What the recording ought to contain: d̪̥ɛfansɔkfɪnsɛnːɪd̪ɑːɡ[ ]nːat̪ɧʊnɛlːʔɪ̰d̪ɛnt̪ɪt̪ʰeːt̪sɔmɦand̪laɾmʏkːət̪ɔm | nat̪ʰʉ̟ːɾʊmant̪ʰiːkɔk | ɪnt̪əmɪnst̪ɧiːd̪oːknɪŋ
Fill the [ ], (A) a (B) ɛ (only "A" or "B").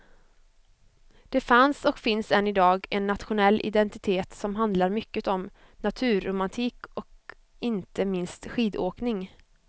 B